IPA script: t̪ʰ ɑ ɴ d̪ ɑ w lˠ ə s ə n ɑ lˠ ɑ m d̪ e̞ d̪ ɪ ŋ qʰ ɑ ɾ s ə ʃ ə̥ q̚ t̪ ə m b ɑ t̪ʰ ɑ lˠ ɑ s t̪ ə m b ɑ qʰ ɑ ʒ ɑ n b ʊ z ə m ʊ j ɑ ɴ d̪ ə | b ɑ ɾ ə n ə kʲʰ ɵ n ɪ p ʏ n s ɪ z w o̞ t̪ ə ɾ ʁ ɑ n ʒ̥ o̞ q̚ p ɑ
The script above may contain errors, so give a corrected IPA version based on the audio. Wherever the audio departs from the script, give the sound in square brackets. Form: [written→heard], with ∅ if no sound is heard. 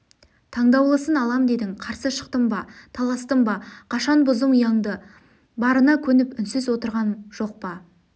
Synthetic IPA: t̪ʰ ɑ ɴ d̪ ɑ w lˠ ə s ə n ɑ lˠ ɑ m d̪ e̞ d̪ ɪ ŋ qʰ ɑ ɾ s ə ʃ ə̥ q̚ t̪ ə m b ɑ t̪ʰ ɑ lˠ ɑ s t̪ ə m b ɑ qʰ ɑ [ʒ→ʃ] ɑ n b ʊ z ə m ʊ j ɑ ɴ d̪ ə | b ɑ ɾ ə n [ə→ɑ] kʲʰ ɵ n ɪ p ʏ n s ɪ z w o̞ t̪ ə ɾ ʁ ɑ n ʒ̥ o̞ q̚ p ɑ